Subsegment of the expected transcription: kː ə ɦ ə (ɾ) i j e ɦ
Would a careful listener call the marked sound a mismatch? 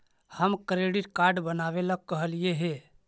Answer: yes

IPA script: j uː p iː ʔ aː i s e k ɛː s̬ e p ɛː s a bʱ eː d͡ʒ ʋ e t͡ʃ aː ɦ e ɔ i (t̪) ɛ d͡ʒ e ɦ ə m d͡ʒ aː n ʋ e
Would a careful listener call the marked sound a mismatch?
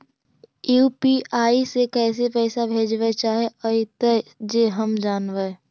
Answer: no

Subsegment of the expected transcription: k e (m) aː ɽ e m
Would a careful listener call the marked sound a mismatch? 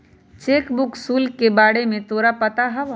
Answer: yes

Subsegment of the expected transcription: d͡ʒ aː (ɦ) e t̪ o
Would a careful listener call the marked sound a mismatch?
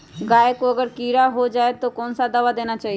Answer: yes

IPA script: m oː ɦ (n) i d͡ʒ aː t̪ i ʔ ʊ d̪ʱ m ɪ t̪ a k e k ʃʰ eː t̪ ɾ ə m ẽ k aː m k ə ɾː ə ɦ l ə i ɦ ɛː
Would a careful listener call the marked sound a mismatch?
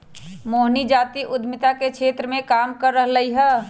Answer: no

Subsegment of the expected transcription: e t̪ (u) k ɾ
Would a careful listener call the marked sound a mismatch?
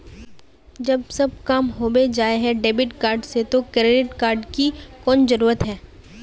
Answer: yes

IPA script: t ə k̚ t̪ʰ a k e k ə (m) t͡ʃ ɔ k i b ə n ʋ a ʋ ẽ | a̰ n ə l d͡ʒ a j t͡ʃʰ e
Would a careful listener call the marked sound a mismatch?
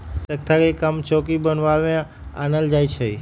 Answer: no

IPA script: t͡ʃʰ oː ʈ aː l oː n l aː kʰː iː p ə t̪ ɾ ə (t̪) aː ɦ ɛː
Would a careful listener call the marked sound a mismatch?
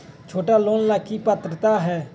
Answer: no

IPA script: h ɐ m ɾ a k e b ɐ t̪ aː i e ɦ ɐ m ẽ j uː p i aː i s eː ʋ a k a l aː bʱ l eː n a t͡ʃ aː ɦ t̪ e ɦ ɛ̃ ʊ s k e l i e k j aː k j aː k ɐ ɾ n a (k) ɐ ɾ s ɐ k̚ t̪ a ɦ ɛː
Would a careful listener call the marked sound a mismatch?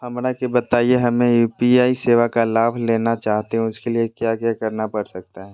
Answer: yes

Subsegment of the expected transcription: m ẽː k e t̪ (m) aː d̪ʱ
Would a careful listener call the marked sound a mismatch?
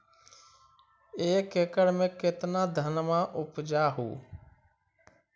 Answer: yes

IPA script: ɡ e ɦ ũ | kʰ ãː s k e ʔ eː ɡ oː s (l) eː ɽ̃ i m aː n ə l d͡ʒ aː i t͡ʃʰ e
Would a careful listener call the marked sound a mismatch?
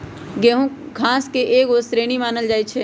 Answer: yes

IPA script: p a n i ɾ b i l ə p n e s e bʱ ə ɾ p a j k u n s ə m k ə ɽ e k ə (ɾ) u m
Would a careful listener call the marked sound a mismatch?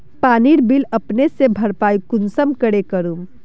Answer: no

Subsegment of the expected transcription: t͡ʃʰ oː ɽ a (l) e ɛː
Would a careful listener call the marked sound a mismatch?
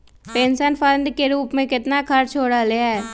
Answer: no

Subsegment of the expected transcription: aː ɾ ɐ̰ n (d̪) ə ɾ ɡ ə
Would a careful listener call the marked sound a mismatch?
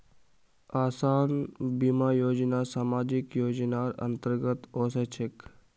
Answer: yes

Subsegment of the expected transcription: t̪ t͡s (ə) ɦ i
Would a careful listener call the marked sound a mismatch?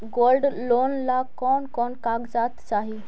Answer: yes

